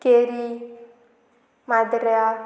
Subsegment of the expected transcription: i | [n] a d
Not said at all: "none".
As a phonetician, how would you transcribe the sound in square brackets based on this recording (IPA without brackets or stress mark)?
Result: m